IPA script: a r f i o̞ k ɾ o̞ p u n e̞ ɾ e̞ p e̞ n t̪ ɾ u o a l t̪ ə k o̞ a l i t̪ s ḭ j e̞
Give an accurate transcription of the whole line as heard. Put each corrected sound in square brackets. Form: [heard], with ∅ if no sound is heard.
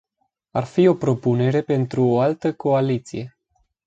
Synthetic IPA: a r f i o̞ [p] ɾ o̞ p u n e̞ ɾ e̞ p e̞ n t̪ ɾ u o a l t̪ ə k o̞ a l i t̪ s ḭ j e̞

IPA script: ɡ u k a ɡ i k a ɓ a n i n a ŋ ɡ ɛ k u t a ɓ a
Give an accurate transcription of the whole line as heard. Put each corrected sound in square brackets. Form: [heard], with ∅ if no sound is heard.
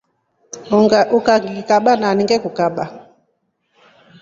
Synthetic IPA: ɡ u k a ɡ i k a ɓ a n [a] n [i] ŋ ɡ ɛ k u [k] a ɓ a

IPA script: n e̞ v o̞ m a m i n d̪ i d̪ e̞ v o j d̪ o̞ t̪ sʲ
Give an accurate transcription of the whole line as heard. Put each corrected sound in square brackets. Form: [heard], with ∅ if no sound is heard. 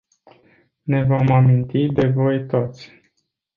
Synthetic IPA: n e̞ v o̞ m a m i n [t̪] i d̪ e̞ v o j [t̪] o̞ t̪ sʲ

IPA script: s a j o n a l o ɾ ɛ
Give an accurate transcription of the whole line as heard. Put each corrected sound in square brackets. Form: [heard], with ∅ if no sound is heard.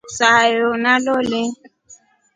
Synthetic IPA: s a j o n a l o [l] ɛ

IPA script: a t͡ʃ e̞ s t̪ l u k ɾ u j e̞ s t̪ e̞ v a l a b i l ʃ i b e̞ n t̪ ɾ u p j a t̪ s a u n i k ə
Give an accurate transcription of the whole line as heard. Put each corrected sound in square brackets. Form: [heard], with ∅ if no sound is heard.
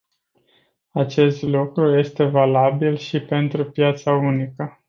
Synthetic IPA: a t͡ʃ e̞ s t̪ l u k ɾ u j e̞ s t̪ e̞ v a l a b i l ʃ i [p] e̞ n t̪ ɾ u p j a t̪ s a u n i k ə

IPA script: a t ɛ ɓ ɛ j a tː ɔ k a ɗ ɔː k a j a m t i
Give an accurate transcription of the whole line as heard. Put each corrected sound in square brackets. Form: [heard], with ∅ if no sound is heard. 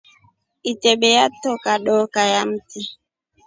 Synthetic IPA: [i] t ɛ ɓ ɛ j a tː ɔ k a ɗ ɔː k a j a m t i

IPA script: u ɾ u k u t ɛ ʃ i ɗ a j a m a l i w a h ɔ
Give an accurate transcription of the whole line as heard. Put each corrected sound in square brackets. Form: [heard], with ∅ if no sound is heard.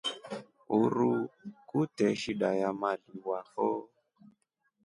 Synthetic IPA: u ɾ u k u t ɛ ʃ i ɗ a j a m a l i w a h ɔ

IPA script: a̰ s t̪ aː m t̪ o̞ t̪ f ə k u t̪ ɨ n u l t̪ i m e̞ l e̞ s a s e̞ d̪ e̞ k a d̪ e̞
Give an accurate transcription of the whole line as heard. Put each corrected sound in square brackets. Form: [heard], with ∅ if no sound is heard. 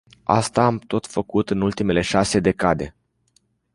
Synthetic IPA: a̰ s t̪ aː m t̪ o̞ t̪ f ə k u t̪ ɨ n u l t̪ i m e̞ l e̞ [ʃ] a s e̞ d̪ e̞ k a d̪ e̞

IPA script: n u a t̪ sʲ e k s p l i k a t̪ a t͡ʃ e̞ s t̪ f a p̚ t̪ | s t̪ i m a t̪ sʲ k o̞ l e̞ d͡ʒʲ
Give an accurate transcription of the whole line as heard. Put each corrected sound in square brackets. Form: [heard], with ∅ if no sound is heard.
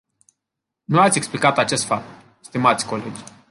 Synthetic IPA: n u a t̪ sʲ e k s p l i k a t̪ a t͡ʃ e̞ s t̪ f a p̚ t̪ | s t̪ i m a t̪ sʲ k o̞ l e̞ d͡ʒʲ

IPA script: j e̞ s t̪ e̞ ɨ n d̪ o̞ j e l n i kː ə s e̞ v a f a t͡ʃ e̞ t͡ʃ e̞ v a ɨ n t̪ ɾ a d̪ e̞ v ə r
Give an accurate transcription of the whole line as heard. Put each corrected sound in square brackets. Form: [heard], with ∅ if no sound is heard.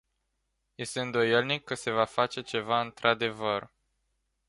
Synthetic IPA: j e̞ s t̪ e̞ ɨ n d̪ o̞ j e l n i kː ə s e̞ v a f a t͡ʃ e̞ t͡ʃ e̞ v a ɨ n t̪ ɾ a d̪ e̞ v ə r

